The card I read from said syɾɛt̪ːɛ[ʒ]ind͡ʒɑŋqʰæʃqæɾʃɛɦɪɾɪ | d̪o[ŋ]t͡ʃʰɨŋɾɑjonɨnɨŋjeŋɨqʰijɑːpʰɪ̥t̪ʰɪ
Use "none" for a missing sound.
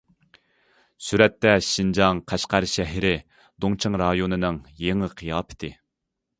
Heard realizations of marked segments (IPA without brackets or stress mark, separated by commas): ʃ, ŋ